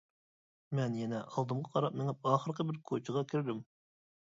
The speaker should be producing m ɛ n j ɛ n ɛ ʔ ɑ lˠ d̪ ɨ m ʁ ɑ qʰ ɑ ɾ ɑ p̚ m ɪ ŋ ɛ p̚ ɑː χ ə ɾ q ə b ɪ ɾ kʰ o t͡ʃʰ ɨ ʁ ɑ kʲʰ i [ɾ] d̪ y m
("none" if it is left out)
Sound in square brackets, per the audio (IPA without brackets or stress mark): ɾ